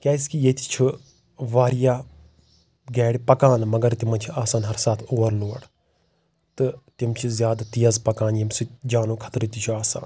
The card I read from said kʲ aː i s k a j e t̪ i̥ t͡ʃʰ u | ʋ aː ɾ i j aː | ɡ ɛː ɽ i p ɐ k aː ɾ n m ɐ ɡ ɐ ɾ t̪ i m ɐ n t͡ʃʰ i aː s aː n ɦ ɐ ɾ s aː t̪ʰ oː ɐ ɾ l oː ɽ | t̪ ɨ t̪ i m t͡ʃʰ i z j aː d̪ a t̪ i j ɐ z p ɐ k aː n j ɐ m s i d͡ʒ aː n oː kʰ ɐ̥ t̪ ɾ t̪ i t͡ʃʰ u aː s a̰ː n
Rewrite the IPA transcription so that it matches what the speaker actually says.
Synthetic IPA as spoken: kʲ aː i s k i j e t̪ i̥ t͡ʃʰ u | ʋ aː ɾ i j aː | ɡ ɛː ɽ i p ɐ k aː n m ɐ ɡ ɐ ɾ t̪ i m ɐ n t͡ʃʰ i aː s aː n ɦ ɐ ɾ s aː t̪ʰ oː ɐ ɾ l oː ɽ | t̪ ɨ t̪ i m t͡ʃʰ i z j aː d̪ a t̪ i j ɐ z p ɐ k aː n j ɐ m s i d͡ʒ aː n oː kʰ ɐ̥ t̪ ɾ t̪ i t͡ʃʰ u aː s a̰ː n